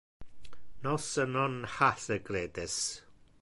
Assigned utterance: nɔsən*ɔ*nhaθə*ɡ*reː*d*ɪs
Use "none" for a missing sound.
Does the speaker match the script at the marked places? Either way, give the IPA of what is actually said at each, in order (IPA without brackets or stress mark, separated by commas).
ɔ, ɡ, d